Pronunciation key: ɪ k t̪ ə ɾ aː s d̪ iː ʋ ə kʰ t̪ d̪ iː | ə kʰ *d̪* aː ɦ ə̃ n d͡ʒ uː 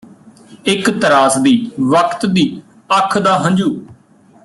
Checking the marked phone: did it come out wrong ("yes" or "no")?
no